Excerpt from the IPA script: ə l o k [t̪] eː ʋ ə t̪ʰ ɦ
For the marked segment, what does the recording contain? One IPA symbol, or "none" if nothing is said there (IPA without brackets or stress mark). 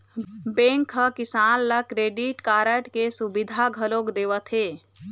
d̪